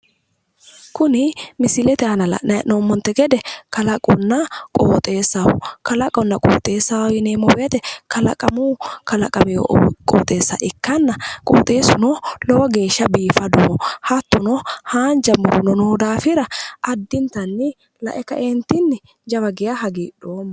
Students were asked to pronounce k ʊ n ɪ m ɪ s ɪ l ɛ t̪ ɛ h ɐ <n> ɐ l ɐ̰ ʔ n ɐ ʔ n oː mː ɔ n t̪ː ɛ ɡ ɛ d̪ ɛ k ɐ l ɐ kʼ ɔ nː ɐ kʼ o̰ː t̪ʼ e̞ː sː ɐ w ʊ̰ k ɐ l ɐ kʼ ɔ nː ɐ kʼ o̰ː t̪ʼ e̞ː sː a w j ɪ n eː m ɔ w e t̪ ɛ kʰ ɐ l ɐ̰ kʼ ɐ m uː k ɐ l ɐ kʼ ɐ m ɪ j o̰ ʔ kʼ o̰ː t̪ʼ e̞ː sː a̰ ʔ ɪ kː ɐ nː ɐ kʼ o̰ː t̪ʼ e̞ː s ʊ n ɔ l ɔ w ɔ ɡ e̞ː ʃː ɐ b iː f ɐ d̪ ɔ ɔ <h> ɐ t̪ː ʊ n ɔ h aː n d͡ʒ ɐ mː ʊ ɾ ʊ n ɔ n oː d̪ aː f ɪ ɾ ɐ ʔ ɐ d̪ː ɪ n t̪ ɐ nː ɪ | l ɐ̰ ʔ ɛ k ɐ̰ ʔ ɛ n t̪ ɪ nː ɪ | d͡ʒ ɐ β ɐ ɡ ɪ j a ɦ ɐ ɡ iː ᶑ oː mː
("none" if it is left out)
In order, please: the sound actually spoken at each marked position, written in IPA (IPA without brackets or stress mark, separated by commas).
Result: n, h